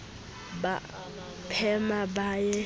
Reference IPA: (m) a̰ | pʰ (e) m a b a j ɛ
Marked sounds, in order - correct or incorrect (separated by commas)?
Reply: incorrect, incorrect